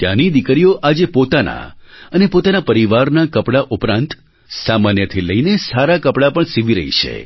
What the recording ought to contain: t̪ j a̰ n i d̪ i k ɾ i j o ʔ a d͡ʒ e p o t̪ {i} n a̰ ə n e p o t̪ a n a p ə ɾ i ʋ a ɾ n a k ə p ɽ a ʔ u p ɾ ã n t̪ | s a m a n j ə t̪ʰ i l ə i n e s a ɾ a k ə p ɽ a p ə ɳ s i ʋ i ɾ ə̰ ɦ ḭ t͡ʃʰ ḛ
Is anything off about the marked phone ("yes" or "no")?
yes